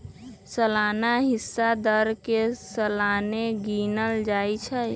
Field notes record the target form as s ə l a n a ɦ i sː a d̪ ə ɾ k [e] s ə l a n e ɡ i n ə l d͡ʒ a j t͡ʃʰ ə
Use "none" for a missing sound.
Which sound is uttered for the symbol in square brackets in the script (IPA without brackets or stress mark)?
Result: e